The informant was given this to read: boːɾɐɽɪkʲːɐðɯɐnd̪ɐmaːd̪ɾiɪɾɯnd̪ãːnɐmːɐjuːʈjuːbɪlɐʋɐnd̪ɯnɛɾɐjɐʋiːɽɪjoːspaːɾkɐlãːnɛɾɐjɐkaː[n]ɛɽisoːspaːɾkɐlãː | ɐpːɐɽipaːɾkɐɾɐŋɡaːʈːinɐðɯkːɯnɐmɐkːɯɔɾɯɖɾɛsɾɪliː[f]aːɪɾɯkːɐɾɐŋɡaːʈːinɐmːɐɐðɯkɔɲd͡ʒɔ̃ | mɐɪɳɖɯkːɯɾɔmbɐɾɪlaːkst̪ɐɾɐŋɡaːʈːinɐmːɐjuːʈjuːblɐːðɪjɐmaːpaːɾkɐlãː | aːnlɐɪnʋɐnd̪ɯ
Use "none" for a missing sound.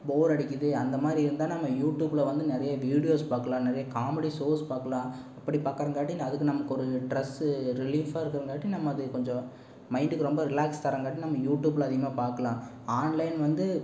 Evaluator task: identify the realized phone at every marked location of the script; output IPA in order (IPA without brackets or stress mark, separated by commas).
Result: m, f